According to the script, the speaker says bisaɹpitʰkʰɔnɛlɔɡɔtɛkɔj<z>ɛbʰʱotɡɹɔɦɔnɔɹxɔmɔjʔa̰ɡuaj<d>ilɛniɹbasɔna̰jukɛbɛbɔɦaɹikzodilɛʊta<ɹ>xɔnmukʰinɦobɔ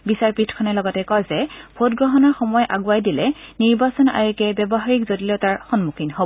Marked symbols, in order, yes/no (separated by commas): yes, yes, yes